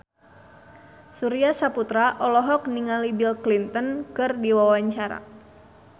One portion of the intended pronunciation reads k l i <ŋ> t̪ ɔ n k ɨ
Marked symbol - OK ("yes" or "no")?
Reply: no